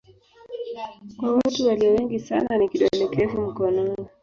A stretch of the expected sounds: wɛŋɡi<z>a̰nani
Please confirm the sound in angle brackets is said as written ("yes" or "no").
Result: no